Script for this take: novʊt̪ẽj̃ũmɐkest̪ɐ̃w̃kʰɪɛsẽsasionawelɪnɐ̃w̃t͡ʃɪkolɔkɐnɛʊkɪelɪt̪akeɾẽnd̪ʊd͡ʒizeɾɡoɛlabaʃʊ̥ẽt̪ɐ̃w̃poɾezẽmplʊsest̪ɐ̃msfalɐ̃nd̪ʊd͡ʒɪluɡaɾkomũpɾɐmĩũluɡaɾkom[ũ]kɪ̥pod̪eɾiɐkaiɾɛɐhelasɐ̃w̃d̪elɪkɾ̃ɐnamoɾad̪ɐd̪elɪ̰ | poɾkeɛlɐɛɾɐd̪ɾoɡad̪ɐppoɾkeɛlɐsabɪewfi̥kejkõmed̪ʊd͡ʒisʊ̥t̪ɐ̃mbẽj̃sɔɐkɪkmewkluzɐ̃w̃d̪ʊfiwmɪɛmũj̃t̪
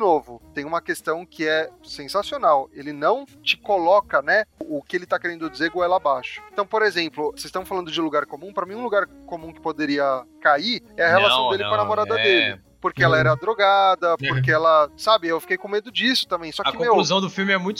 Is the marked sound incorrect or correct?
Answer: correct